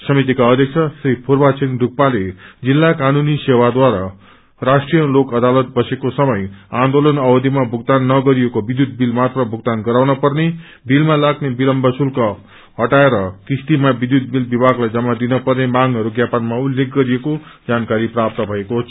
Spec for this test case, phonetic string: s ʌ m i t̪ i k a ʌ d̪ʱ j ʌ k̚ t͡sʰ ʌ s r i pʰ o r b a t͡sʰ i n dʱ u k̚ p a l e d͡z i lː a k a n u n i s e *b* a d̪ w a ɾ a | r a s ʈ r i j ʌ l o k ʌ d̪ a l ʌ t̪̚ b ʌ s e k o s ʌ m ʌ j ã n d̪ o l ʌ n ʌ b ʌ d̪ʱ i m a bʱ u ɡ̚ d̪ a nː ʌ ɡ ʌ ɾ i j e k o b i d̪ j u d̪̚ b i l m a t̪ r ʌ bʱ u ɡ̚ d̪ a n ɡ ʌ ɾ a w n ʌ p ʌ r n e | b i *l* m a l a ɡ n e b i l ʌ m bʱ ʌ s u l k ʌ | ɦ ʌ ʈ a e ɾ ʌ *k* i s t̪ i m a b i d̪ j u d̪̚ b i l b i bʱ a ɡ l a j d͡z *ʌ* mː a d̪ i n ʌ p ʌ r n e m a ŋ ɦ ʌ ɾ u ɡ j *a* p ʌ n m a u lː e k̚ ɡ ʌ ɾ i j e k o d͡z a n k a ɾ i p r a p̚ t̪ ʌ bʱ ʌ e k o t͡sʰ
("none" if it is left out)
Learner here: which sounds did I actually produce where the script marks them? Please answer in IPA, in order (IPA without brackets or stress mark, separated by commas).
w, l, k, ʌ, a